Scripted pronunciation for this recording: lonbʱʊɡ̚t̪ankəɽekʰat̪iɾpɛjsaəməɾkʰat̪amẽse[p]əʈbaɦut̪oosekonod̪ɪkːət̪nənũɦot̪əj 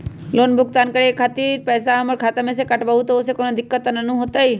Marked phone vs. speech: incorrect: k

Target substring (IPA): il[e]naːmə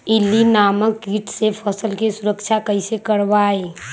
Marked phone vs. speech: incorrect: i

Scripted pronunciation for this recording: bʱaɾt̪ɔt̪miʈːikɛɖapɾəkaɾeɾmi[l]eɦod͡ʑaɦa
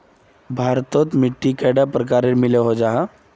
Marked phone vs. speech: correct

